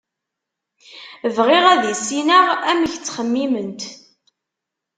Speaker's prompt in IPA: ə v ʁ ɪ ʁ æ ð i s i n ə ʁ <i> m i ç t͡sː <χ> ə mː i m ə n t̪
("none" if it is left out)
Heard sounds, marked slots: æ, χ

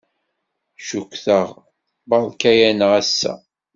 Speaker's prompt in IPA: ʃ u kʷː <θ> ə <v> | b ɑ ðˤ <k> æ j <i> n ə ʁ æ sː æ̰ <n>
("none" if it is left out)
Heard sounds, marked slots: θ, ʁ, k, æ, none

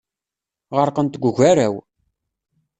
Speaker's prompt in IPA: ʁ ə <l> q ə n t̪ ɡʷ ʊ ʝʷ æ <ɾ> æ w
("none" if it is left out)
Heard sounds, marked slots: ɾ, ɾ

